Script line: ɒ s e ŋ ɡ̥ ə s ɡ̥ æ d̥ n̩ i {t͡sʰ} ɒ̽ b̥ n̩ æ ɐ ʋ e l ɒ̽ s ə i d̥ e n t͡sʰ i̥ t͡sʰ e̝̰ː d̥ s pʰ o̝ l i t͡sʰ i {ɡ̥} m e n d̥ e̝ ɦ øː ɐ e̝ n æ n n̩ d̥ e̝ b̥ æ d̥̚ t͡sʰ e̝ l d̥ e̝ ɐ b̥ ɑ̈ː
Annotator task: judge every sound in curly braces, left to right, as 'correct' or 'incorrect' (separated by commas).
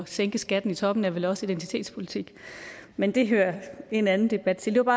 correct, correct